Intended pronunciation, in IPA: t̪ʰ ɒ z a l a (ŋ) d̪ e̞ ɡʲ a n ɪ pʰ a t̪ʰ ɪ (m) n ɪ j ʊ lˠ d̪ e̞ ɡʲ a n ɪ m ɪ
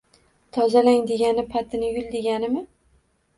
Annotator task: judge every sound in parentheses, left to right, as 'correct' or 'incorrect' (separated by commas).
correct, incorrect